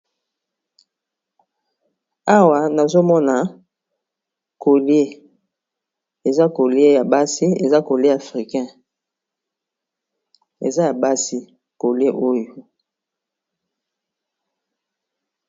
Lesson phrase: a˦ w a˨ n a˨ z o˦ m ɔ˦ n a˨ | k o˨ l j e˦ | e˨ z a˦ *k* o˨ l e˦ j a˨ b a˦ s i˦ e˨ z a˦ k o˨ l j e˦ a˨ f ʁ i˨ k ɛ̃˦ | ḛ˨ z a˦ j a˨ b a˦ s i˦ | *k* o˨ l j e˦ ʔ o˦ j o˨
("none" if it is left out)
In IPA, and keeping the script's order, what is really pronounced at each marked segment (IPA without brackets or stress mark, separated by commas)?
k, k